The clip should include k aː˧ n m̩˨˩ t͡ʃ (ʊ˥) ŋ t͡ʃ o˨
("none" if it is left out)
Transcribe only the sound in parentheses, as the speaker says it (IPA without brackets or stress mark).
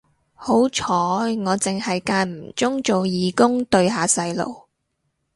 ʊ˥